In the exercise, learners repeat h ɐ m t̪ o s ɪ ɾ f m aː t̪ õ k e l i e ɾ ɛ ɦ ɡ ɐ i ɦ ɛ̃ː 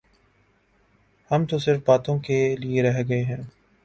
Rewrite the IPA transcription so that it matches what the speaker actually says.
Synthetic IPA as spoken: h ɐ m t̪ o s ɪ ɾ f b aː t̪ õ k e l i e ɾ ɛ ɦ ɡ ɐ e ɦ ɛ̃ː